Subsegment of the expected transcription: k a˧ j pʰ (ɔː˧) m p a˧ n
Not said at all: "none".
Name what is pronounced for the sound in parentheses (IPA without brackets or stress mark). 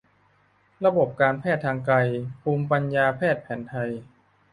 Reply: uː˧